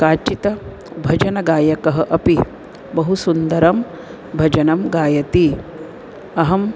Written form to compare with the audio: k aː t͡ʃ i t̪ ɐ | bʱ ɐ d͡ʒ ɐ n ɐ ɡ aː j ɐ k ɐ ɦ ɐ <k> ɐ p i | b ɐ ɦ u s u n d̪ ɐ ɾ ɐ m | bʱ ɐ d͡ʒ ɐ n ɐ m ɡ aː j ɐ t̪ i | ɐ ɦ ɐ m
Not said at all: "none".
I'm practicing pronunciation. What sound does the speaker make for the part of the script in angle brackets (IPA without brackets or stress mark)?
ʔ